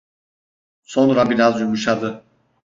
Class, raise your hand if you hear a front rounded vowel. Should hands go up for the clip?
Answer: no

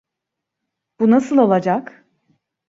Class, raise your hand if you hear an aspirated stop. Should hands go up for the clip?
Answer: no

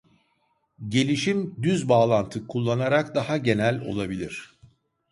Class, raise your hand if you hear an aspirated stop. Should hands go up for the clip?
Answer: yes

